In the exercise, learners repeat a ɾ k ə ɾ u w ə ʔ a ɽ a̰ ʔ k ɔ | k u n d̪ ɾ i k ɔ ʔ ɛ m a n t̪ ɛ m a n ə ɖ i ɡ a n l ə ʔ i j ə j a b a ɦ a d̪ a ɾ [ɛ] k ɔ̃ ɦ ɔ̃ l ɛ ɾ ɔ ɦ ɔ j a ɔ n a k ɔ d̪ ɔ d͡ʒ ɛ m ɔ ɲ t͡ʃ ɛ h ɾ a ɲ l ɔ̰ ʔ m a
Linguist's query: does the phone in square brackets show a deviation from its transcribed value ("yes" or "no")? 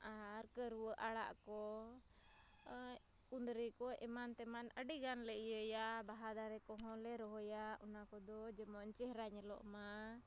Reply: no